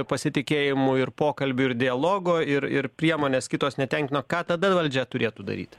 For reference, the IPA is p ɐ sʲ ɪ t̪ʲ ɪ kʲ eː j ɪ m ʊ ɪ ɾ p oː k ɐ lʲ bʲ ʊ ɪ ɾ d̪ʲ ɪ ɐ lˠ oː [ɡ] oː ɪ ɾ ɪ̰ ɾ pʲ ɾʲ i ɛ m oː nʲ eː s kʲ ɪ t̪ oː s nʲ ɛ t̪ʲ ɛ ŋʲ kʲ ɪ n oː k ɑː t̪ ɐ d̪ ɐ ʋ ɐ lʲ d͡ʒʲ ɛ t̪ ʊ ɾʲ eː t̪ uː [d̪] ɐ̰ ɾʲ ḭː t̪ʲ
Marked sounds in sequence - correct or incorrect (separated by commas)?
correct, correct